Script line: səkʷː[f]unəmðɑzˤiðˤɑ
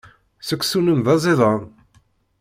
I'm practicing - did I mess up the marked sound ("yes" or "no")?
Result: yes